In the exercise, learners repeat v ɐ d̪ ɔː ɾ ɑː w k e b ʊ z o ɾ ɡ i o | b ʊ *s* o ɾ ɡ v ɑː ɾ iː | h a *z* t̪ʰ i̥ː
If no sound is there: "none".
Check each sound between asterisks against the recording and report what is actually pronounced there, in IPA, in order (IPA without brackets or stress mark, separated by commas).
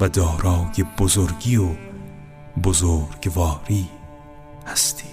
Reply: z, s